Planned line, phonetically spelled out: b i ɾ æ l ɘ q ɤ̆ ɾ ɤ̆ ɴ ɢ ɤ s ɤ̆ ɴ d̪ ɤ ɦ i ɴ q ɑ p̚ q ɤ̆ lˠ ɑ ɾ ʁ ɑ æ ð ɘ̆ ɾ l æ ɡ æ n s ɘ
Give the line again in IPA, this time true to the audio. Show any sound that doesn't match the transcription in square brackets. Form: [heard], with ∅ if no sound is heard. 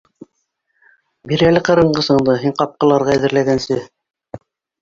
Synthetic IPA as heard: b i ɾ æ l ɘ q ɤ̆ ɾ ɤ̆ ɴ ɢ ɤ s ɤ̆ ɴ d̪ ɤ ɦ i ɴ q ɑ p̚ q ɤ̆ lˠ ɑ ɾ ʁ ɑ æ ð ɘ̆ ɾ l æ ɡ æ n s ɘ